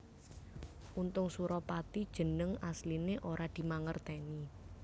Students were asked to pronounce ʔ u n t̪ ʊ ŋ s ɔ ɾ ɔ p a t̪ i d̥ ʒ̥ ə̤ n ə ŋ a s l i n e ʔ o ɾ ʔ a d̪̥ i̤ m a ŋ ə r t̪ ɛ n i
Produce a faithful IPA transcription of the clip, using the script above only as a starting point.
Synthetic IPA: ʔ u n t̪ ʊ ŋ s u ɾ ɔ p a t̪ i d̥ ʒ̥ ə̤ n ə ŋ a s l i n e ʔ o ɾ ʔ a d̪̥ i̤ m a ŋ ə r t̪ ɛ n i